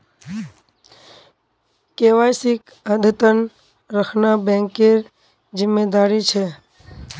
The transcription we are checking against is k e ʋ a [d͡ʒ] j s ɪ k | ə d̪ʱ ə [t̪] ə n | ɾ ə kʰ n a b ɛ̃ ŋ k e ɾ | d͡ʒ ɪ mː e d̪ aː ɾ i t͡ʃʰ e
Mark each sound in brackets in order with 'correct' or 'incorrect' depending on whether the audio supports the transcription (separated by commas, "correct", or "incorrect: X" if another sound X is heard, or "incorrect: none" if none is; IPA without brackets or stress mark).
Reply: incorrect: none, correct